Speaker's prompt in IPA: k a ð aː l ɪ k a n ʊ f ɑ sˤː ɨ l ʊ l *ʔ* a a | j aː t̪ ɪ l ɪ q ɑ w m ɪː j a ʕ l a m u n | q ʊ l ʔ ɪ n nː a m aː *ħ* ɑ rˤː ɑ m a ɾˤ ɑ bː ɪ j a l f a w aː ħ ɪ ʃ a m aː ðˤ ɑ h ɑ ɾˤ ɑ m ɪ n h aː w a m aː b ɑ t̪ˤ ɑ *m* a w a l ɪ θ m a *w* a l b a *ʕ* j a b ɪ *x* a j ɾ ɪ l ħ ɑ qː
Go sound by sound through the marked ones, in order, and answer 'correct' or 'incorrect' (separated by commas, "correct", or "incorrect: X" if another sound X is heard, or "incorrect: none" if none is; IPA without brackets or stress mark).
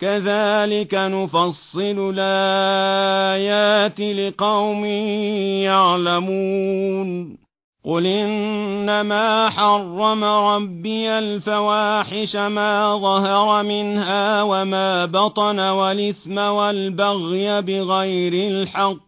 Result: correct, correct, incorrect: n, correct, incorrect: ɣ, incorrect: ɣ